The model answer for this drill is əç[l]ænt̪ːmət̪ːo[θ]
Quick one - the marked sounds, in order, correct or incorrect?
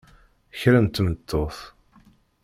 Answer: incorrect, correct

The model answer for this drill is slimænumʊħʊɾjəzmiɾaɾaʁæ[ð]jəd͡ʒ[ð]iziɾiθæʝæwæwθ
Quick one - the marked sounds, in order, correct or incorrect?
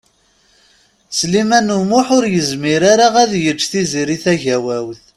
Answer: correct, incorrect

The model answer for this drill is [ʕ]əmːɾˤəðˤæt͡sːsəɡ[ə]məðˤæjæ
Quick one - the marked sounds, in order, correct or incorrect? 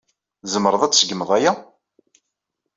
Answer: incorrect, correct

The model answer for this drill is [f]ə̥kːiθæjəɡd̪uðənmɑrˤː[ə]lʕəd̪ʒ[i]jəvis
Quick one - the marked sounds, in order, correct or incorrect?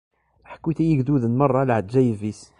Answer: incorrect, incorrect, incorrect

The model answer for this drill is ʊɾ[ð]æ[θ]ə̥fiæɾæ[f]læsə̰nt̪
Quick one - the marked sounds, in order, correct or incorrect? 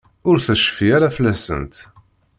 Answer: incorrect, incorrect, correct

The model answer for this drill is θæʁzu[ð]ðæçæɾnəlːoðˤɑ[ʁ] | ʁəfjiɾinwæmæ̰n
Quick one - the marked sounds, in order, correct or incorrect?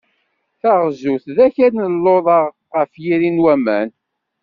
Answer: incorrect, correct

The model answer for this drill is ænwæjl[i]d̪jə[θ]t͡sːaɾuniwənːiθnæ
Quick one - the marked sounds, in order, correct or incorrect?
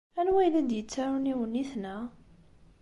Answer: incorrect, incorrect

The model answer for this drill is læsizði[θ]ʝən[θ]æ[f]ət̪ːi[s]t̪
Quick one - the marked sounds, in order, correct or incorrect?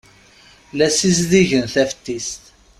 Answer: incorrect, correct, correct, correct

